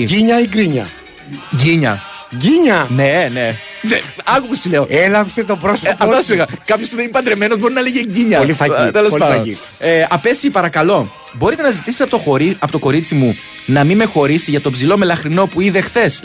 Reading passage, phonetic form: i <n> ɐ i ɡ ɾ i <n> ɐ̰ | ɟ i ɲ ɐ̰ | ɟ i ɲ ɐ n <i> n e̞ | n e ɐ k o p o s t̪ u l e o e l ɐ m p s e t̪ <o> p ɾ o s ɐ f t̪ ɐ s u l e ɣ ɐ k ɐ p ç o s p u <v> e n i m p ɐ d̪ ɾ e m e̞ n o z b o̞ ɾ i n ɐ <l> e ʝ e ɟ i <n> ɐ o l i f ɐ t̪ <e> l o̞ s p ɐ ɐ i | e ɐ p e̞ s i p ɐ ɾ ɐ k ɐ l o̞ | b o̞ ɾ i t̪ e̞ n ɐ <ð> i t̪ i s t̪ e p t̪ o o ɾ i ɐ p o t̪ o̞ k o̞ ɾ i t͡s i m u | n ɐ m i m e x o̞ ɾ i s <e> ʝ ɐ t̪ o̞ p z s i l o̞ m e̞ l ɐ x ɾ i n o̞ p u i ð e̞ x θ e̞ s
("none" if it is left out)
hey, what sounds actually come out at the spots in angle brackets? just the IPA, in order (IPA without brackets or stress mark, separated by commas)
ɲ, ɲ, e, o, ð, l, ɲ, e, z, i